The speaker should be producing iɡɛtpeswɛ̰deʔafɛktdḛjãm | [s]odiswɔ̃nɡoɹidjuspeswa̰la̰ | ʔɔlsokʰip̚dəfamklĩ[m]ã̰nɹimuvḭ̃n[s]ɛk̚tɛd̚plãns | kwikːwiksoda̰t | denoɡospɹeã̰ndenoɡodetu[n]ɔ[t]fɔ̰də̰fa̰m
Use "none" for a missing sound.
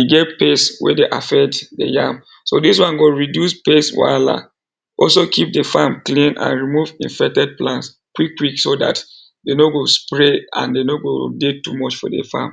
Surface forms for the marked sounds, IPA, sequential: s, n, f, m, t͡ʃ

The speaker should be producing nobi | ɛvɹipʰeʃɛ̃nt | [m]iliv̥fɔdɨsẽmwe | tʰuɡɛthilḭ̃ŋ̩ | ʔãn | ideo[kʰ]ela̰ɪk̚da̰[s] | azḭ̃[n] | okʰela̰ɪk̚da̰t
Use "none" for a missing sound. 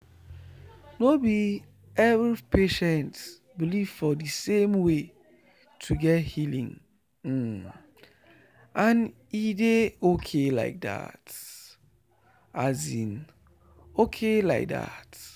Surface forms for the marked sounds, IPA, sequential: b, kʰ, t, n

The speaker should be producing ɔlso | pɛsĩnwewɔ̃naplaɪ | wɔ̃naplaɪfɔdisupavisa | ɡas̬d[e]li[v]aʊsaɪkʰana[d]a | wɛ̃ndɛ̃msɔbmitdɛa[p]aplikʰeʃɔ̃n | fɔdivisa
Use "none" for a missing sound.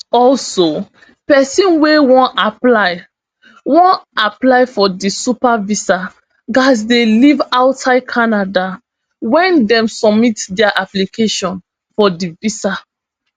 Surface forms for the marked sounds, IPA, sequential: e, v, d, ʔ

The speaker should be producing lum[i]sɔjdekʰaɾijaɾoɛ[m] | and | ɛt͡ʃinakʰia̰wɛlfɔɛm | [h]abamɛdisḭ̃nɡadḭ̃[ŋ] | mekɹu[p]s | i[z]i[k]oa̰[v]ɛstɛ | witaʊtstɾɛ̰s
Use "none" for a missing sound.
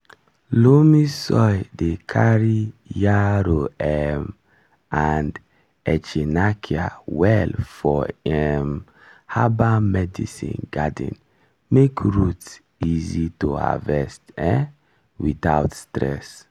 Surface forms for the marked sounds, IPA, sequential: i, m, h, n, t, z, t, v

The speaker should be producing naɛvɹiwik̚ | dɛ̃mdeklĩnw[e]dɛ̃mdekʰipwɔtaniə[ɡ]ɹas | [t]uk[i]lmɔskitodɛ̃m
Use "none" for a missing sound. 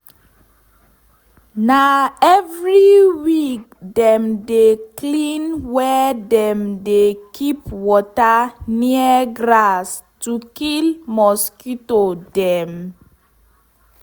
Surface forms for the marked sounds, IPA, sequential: ɛ, ɡ, t, i

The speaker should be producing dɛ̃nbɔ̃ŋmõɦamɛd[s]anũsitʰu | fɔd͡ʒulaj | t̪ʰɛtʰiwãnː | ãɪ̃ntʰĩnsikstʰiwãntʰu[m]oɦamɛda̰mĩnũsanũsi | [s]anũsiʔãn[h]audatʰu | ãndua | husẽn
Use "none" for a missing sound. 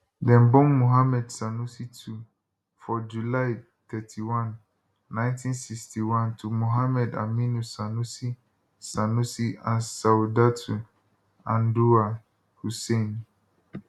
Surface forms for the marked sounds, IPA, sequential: s, m, s, s

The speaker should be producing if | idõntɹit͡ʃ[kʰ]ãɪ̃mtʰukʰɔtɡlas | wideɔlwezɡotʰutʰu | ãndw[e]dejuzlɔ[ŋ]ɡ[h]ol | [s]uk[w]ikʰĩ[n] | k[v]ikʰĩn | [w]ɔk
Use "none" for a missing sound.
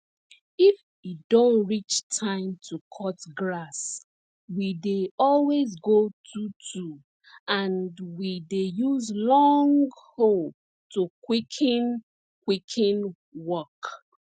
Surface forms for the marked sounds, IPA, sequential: tʰ, i, ŋ, h, t, w, n, w, w

